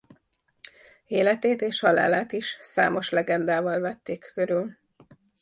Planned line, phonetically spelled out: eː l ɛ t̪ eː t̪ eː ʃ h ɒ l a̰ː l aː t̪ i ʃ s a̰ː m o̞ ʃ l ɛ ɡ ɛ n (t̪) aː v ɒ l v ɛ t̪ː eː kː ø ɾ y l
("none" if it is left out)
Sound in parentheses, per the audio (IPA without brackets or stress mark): d̪